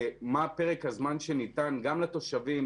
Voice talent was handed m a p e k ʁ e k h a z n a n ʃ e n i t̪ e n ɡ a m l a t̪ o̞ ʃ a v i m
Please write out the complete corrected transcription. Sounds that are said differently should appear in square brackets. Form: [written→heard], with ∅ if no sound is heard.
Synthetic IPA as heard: m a p e [k→∅] ʁ e k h a z [n→m] a n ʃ e n i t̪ [e→a] n ɡ a m l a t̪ o̞ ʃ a v i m